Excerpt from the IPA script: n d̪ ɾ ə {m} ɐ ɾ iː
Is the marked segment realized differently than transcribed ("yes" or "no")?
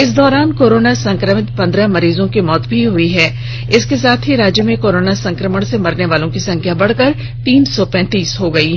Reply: no